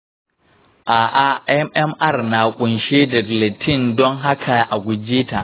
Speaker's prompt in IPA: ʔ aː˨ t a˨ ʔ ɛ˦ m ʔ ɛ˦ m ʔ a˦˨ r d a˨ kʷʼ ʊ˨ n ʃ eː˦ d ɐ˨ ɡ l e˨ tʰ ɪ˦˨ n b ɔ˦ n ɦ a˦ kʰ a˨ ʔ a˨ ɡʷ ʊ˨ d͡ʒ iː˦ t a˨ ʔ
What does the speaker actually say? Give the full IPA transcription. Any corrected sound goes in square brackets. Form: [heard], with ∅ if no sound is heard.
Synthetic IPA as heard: ʔ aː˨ [ʔ] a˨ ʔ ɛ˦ m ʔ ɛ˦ m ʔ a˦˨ r [n] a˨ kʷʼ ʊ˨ n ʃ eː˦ d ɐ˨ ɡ l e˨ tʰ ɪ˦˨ n [d] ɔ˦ [ŋ] ɦ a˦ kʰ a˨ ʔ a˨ ɡʷ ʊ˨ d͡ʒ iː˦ t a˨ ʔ